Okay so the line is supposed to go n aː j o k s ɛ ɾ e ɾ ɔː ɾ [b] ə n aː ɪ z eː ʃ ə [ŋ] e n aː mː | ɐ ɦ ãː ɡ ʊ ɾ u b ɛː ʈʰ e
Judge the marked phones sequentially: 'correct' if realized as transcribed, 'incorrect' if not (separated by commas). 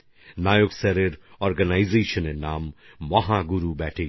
incorrect, incorrect